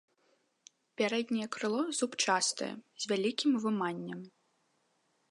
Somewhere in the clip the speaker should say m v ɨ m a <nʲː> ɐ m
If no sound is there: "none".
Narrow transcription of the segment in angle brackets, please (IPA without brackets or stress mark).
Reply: nʲː